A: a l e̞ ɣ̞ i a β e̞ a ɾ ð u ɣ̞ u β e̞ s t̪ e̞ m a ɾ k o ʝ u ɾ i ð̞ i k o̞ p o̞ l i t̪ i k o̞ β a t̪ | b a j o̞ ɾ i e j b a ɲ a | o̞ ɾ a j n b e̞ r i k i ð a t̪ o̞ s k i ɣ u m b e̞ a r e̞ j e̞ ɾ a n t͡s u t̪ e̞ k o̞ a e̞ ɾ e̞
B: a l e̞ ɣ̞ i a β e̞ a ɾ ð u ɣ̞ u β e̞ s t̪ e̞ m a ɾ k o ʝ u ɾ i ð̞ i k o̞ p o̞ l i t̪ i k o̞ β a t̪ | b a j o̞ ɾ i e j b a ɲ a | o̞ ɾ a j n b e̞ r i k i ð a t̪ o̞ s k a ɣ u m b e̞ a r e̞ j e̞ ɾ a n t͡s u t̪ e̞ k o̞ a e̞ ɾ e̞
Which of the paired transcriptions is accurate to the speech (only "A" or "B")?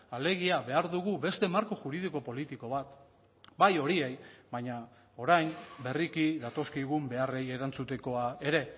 A